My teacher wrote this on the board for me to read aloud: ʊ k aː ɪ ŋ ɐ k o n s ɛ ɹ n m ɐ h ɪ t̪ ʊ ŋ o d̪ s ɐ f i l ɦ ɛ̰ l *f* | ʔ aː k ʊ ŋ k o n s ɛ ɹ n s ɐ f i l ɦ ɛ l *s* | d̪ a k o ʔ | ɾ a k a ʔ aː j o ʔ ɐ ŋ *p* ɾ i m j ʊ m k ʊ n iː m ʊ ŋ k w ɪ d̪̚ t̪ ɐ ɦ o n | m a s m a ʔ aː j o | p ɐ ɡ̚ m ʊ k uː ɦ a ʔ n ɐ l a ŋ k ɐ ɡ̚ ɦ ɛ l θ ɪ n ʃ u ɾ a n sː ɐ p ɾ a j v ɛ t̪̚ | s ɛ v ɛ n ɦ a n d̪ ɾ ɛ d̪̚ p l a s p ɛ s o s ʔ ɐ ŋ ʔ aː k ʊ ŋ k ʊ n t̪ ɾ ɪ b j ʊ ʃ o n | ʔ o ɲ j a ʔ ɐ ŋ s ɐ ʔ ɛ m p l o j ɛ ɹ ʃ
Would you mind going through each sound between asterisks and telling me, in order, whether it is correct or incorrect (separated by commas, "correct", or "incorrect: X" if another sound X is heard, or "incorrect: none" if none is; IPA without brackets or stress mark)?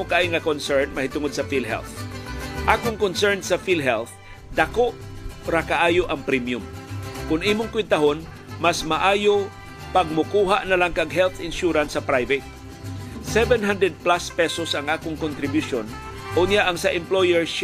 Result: incorrect: θ, incorrect: θ, correct